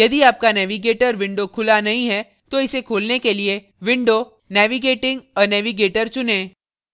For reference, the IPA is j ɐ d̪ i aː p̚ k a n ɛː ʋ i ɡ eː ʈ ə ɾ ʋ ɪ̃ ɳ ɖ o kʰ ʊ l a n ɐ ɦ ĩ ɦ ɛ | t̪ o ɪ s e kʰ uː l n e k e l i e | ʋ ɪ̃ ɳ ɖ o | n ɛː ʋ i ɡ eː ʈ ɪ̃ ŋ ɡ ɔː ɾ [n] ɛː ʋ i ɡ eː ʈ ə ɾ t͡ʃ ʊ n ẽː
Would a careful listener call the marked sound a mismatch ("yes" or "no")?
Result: no